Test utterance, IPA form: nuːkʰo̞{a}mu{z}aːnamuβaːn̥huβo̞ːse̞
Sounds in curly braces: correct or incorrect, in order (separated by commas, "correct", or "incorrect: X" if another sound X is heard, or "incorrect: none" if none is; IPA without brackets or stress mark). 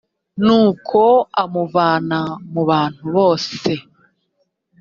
correct, incorrect: v